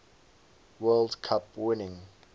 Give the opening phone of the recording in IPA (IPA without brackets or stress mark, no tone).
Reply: w